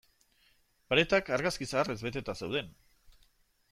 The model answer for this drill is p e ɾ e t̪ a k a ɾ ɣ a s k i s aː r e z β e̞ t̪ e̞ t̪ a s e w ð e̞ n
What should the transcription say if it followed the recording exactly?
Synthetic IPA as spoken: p a ɾ e t̪ a k a ɾ ɣ a s k i s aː r e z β e̞ t̪ e̞ t̪ a s e w ð e̞ n